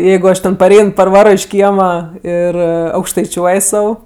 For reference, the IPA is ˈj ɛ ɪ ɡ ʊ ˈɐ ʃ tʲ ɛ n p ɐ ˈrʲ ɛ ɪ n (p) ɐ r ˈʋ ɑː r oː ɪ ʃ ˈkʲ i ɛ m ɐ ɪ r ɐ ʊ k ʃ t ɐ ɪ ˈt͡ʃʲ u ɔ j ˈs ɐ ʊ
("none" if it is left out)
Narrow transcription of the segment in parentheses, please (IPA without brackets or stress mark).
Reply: p